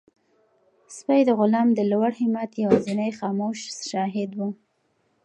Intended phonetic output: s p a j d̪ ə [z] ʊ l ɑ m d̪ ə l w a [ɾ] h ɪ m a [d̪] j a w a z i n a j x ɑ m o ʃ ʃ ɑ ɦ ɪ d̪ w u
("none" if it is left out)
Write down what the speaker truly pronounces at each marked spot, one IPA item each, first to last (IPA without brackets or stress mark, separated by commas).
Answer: ɣ, ɽ, t̪